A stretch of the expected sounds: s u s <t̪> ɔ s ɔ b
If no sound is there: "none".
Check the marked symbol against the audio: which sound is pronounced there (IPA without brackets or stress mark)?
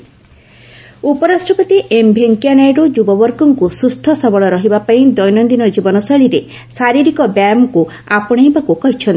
t̪ʰ